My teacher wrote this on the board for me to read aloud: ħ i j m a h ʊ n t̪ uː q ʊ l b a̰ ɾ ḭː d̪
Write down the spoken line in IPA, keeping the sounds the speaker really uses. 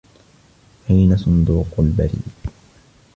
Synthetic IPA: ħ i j n a s ʊ n d̪ uː q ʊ l b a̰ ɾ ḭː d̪